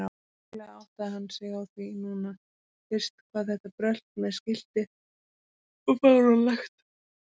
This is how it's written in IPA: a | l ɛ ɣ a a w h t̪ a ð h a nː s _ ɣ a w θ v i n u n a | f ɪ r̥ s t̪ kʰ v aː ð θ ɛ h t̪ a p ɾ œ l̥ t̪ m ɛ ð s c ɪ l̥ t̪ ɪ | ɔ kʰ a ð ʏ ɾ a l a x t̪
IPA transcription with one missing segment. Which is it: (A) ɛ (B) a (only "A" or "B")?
A